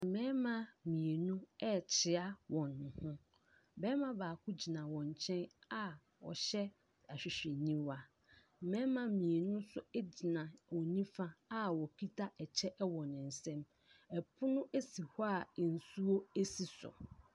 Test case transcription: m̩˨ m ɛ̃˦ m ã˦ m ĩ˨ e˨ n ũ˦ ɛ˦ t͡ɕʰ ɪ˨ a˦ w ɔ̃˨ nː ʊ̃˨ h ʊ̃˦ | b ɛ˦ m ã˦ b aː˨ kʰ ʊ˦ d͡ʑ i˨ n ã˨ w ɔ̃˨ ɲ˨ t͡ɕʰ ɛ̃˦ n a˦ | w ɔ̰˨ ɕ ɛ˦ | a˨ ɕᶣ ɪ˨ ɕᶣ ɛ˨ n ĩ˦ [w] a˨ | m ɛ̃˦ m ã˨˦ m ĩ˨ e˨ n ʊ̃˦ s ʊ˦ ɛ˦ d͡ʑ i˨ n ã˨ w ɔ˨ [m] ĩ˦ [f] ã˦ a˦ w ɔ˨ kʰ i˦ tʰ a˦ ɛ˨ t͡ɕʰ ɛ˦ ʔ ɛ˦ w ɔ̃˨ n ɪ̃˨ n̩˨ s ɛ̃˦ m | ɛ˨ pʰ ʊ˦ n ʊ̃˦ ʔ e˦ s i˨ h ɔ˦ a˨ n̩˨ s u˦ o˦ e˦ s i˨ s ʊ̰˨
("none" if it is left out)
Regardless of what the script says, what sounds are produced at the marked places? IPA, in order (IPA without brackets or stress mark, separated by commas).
w, n, f